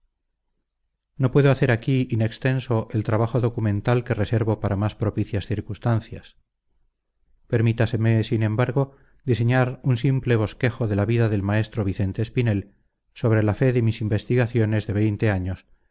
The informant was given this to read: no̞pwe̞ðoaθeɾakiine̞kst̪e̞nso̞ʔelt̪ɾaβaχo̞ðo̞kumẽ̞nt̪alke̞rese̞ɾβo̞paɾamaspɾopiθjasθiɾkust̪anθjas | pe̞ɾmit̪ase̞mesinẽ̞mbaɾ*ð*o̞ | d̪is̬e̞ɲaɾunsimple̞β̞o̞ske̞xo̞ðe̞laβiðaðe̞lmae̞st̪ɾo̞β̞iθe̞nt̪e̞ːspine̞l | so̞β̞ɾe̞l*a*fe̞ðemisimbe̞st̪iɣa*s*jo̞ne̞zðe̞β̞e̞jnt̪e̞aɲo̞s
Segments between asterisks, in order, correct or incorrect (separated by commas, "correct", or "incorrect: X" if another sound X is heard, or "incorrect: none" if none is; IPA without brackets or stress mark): incorrect: ɣ, correct, incorrect: θ